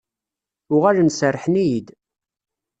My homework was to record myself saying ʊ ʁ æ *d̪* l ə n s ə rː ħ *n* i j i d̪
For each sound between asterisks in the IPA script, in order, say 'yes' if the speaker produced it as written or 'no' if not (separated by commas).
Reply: no, yes